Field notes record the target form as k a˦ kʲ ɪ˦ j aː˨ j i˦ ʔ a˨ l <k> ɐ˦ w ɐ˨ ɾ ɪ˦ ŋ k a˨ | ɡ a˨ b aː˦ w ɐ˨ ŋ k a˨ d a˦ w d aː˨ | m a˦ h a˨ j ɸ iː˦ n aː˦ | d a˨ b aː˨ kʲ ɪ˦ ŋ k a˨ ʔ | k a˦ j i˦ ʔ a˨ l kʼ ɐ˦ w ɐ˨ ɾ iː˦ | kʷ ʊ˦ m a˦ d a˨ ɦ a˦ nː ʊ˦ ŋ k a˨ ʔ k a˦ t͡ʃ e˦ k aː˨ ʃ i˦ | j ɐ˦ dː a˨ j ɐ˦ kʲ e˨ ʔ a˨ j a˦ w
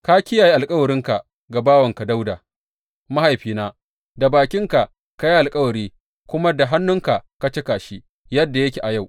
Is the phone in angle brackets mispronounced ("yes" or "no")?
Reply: yes